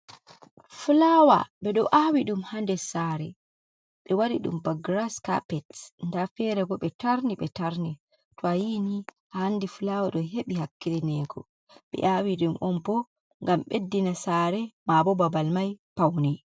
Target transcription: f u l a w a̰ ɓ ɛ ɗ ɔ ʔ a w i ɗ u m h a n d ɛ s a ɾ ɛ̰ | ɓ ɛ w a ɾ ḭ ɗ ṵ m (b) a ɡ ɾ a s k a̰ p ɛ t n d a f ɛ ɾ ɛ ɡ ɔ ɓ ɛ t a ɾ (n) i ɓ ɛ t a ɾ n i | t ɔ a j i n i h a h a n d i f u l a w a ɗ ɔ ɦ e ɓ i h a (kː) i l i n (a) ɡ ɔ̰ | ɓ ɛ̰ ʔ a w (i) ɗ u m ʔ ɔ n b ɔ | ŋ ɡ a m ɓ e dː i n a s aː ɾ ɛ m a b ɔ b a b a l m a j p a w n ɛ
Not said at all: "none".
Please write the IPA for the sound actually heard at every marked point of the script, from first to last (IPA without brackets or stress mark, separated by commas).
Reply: b, n, kː, ɛ, i